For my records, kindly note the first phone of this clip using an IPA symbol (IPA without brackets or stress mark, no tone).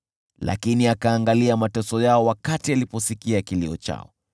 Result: l